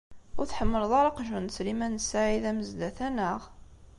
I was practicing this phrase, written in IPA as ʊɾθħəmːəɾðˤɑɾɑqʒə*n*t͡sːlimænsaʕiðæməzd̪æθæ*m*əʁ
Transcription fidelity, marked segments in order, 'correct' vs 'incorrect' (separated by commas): correct, incorrect